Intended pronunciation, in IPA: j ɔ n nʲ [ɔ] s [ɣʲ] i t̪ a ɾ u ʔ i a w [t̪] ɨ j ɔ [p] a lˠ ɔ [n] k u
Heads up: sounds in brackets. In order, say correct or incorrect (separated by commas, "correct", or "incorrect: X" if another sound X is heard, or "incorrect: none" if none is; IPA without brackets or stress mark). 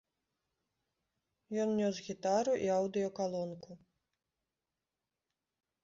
correct, correct, incorrect: d̪, incorrect: k, correct